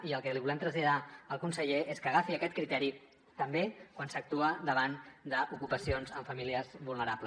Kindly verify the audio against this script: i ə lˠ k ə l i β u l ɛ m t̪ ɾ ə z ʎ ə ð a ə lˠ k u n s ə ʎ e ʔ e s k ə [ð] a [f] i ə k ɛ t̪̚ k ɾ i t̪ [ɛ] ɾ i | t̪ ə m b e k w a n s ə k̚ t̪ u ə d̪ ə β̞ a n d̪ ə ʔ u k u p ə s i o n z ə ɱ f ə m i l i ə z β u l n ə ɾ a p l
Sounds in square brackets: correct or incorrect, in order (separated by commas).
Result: incorrect, correct, correct